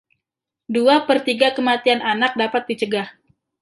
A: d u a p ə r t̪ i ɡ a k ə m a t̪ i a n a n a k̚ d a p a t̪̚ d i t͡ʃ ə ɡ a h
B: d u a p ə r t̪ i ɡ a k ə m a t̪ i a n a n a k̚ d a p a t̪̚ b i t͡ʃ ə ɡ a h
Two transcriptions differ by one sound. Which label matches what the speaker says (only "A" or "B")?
A